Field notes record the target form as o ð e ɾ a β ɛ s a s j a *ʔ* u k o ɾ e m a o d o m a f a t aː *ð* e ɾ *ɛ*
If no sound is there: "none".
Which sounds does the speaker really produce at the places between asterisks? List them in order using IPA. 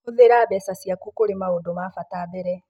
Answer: k, ð, ɛ

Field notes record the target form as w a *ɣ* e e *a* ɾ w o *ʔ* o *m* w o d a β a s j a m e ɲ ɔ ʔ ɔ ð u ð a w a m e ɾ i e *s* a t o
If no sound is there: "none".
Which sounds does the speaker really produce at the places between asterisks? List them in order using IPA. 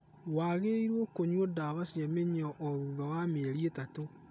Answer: ɣ, i, k, ɲ, t

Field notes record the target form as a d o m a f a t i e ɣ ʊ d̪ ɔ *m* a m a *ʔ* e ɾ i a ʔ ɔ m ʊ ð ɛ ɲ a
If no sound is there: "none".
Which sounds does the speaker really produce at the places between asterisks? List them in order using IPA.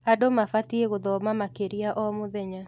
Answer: m, k

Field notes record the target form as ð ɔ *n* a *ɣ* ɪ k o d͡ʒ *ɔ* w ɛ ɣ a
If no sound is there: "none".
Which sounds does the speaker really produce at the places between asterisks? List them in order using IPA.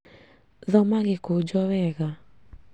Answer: m, ɣ, ɔ

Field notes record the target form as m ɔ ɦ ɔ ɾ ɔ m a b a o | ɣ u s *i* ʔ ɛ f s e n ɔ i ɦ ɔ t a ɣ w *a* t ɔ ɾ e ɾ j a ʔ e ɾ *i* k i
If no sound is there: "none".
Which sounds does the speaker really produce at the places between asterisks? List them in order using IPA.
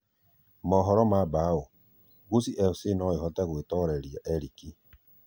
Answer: i, e, i

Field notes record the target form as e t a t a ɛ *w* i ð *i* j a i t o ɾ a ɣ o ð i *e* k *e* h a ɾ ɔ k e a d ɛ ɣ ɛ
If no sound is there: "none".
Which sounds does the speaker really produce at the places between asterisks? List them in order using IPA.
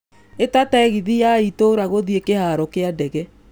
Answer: ɣ, i, e, e

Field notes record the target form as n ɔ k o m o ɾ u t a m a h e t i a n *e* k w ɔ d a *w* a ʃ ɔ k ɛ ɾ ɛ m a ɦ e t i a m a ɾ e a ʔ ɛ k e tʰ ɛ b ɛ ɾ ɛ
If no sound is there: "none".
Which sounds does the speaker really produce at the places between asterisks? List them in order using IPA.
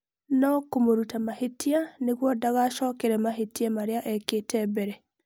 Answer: e, ɣ

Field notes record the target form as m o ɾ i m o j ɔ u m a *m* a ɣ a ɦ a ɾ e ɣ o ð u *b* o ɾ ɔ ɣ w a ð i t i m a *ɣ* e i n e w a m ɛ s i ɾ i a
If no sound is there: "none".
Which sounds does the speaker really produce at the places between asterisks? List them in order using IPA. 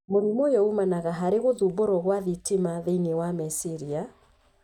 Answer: n, b, ð

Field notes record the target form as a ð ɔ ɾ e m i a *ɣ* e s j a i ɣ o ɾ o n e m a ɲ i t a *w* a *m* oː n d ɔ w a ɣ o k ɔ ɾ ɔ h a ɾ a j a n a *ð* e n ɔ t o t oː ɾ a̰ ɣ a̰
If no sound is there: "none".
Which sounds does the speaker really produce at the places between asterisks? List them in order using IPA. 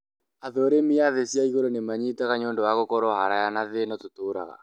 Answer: ð, ɣ, ɲ, ð

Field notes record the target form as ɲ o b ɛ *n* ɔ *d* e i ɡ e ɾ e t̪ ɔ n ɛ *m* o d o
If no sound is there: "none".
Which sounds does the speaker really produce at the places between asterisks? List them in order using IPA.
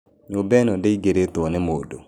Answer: n, d, m

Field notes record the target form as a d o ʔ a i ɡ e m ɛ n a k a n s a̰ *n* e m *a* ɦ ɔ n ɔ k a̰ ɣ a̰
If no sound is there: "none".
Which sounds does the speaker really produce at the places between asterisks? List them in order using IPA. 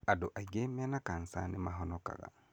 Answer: n, a

